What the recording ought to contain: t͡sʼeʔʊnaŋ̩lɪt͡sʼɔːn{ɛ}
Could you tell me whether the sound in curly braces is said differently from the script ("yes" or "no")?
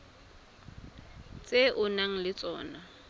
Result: yes